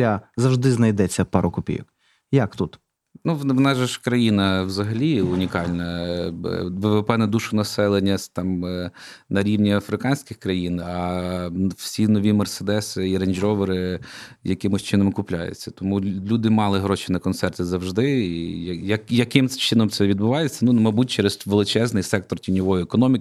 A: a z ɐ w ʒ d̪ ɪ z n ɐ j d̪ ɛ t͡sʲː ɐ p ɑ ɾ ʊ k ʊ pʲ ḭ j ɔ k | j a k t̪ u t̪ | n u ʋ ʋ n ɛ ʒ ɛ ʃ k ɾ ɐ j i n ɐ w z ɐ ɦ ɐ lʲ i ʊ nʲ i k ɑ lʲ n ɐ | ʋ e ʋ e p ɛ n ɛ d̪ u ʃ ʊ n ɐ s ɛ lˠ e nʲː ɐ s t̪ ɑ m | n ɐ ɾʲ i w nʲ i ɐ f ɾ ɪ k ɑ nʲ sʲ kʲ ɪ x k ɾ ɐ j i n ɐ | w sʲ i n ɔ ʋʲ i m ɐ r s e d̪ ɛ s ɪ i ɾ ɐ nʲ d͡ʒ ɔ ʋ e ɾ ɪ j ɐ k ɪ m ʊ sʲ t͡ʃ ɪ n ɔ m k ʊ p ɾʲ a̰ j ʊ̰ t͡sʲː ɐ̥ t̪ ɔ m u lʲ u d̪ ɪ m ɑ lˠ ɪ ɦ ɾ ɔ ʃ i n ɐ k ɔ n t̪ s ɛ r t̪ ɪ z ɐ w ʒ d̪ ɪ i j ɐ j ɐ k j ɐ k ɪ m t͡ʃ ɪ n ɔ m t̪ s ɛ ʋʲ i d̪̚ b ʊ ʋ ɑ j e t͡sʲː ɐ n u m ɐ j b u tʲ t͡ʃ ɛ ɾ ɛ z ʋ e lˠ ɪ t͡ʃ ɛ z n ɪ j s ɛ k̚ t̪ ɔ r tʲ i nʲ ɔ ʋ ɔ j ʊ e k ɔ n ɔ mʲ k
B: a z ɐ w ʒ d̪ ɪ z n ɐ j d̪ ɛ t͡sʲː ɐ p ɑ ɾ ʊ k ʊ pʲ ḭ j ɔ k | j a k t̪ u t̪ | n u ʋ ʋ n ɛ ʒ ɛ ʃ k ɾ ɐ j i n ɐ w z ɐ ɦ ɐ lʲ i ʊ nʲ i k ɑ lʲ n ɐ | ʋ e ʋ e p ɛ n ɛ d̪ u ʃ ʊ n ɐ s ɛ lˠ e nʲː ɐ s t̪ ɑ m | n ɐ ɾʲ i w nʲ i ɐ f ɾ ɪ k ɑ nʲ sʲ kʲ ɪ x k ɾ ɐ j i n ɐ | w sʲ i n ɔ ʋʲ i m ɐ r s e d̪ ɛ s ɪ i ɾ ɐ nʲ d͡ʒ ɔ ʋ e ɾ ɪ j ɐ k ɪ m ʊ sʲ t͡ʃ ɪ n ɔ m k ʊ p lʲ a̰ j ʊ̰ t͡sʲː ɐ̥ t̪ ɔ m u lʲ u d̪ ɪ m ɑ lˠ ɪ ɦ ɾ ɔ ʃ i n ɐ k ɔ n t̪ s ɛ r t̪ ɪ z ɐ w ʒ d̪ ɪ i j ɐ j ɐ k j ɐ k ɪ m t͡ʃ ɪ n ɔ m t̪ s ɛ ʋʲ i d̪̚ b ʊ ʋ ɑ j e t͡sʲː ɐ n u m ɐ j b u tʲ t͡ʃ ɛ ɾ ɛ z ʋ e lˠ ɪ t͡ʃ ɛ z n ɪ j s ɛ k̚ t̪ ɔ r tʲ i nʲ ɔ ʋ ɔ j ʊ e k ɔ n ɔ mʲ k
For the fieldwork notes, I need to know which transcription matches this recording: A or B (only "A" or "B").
B